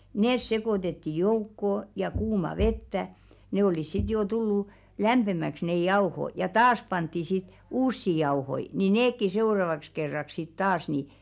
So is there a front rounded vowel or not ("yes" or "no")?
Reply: no